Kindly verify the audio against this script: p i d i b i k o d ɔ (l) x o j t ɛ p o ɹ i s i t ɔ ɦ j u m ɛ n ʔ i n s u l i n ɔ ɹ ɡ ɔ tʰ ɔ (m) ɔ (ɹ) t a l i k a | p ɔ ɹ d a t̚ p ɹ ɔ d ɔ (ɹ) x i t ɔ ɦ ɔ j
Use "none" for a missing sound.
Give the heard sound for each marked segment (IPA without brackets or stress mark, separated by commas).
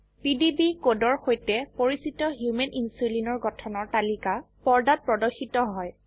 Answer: ɹ, n, ɹ, none